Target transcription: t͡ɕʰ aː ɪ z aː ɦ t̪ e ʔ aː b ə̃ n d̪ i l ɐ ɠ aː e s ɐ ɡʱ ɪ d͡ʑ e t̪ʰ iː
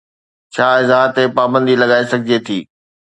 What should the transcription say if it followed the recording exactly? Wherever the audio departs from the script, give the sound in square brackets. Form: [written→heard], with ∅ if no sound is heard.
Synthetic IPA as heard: t͡ɕʰ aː ɪ z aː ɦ t̪ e [ʔ→p] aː b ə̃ n d̪ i l ɐ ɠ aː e s ɐ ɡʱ ɪ d͡ʑ e t̪ʰ iː